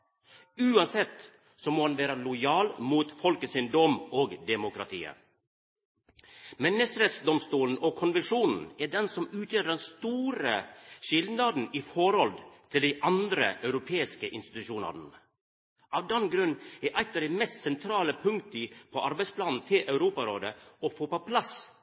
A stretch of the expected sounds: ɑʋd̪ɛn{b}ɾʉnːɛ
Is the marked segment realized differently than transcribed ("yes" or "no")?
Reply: yes